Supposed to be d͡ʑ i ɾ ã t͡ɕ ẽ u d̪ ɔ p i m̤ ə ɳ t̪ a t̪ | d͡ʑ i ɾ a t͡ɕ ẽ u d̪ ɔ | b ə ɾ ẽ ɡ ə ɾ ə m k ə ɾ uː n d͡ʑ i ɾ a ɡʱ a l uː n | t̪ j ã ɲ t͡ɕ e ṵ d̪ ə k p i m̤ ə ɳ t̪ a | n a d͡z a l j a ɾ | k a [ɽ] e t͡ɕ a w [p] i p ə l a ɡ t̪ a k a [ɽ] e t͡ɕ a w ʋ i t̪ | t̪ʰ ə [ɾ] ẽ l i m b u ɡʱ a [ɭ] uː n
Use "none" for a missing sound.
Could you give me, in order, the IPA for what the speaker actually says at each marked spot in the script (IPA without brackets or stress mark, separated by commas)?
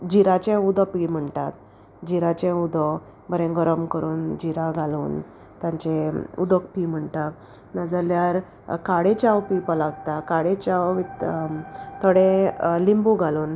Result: ɽ, p, ɽ, ɽ, l